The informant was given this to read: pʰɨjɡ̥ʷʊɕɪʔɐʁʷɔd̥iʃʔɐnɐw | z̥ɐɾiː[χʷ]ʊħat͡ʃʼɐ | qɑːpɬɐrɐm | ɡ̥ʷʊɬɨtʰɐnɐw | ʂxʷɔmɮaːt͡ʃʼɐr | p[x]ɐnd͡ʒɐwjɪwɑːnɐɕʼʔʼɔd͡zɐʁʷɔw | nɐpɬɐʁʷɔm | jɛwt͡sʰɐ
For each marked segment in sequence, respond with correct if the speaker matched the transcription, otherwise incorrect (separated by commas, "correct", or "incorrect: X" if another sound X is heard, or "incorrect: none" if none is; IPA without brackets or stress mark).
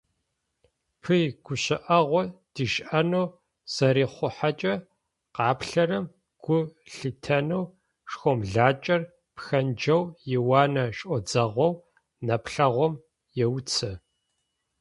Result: correct, correct